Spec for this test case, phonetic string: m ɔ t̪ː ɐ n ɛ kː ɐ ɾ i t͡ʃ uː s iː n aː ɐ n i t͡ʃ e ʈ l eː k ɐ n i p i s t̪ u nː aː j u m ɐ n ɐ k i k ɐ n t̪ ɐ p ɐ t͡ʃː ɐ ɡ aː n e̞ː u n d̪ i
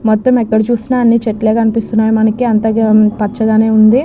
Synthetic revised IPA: m ɔ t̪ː ɐ m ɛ kː ɐ ɽ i t͡ʃ uː s i n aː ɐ nː i t͡ʃ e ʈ l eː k ɐ n i p i s t̪ u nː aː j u m ɐ n ɐ k i ɐ n t̪ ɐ p ɐ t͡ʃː ɐ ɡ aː n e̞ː u n d̪ i